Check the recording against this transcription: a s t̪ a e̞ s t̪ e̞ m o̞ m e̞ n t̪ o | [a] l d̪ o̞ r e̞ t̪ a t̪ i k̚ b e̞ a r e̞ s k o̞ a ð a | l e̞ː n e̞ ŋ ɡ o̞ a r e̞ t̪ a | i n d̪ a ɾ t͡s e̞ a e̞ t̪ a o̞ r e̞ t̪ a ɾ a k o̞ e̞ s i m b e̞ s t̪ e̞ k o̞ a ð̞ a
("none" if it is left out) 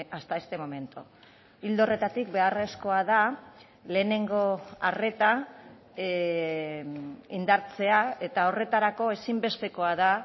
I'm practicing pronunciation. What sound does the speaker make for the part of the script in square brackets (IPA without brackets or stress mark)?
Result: i